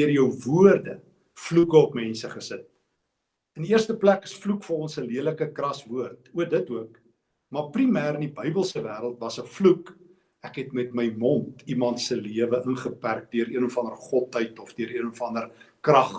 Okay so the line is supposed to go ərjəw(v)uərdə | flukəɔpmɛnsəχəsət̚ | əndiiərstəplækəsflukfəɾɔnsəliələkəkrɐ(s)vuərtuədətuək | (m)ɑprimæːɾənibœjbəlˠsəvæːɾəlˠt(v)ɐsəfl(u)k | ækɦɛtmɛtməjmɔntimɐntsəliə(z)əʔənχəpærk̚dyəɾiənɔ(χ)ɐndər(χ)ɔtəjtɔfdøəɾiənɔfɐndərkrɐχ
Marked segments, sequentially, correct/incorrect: correct, correct, correct, correct, correct, incorrect, incorrect, correct

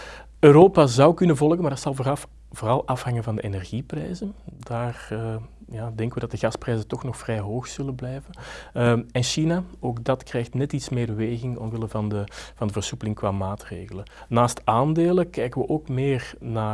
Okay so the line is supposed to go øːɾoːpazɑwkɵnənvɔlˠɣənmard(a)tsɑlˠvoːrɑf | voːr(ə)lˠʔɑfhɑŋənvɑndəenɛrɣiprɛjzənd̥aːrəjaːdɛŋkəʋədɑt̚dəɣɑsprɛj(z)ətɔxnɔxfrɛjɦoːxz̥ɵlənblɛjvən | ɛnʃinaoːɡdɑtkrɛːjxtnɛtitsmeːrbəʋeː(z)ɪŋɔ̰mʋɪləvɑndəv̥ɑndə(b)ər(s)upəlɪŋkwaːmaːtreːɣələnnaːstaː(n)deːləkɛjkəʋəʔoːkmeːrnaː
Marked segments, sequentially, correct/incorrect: incorrect, incorrect, correct, incorrect, incorrect, correct, correct

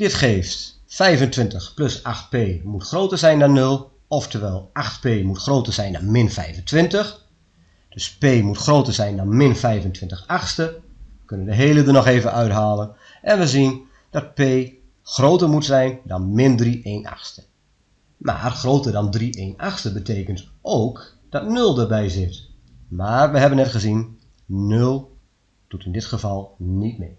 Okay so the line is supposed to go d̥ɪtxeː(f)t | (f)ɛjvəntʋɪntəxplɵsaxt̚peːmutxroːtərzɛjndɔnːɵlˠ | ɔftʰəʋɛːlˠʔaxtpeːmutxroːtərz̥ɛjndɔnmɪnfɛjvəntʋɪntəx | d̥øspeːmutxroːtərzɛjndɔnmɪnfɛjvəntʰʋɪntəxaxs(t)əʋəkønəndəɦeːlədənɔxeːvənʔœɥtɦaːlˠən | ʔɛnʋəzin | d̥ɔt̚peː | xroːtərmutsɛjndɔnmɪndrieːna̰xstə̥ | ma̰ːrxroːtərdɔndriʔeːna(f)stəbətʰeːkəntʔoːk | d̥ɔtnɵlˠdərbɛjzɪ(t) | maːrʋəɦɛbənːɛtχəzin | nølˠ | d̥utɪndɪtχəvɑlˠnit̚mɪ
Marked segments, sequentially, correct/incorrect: correct, correct, correct, incorrect, correct

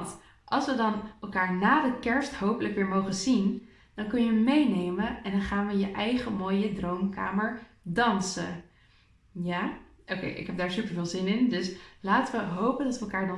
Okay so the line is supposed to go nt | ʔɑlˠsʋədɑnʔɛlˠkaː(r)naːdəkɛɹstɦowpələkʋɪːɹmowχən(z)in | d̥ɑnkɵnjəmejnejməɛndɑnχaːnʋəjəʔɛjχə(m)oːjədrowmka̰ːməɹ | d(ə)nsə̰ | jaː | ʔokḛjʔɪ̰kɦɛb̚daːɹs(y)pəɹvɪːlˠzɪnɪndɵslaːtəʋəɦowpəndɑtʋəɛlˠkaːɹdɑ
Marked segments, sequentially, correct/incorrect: incorrect, correct, correct, incorrect, correct

